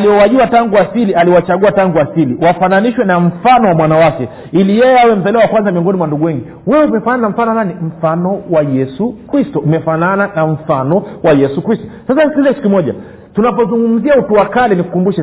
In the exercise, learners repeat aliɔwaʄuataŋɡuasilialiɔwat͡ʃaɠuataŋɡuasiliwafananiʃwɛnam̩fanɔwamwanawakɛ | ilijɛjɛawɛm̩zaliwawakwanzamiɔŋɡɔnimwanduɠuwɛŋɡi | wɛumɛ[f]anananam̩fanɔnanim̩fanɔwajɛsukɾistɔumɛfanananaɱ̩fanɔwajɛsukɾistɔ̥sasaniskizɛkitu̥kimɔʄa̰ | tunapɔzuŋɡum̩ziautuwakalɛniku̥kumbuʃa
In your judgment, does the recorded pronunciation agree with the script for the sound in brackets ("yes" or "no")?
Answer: yes